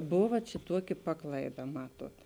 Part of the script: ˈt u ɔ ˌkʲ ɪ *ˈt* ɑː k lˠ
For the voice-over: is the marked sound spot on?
no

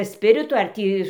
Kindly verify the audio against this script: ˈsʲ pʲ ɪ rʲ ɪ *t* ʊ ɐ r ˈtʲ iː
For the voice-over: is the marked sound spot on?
yes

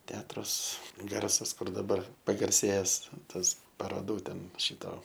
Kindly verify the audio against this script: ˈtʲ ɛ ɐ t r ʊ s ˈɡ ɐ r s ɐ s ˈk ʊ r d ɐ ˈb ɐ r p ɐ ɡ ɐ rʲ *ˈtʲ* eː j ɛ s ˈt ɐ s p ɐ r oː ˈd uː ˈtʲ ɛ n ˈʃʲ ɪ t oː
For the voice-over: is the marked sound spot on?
no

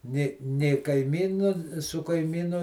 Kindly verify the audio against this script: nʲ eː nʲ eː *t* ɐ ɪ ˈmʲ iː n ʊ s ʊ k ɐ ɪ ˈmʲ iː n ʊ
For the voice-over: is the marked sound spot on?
no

